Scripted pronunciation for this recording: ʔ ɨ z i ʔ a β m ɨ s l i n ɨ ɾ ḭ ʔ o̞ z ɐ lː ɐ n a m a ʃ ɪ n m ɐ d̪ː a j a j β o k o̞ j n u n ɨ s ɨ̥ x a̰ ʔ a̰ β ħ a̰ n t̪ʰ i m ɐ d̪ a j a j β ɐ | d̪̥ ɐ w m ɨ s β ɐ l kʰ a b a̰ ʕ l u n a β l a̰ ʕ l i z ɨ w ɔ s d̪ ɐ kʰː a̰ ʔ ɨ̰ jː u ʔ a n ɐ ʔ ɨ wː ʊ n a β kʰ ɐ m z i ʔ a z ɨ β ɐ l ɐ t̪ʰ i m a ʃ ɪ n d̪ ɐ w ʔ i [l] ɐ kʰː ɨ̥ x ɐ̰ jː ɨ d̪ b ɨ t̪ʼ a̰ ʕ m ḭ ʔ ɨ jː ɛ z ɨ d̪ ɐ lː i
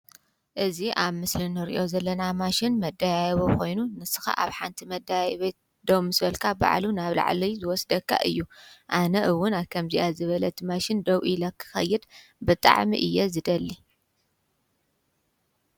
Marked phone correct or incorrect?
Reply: correct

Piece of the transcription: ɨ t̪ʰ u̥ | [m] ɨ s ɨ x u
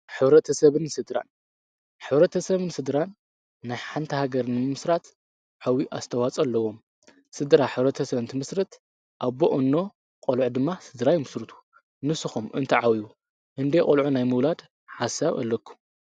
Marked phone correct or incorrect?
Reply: incorrect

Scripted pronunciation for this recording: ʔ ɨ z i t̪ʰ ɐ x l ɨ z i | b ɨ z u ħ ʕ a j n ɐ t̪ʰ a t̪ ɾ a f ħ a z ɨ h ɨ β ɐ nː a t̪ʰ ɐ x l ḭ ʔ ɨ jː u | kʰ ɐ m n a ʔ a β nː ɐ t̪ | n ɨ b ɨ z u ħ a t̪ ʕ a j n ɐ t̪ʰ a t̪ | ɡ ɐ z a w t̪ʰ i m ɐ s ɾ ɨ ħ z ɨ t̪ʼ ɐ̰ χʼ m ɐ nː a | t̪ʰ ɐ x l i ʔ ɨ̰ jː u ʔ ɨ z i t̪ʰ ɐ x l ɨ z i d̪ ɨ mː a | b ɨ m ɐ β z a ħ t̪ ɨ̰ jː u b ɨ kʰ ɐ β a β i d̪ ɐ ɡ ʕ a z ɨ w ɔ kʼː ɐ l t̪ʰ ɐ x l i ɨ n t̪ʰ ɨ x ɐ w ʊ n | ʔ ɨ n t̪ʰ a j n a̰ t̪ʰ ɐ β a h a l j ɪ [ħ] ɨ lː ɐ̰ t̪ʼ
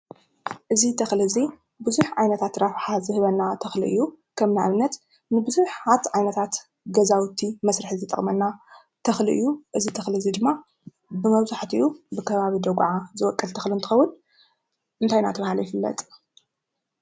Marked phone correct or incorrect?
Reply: incorrect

